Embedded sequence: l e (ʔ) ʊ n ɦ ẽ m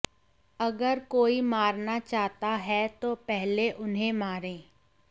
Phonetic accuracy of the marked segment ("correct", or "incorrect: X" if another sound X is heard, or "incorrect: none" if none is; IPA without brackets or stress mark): correct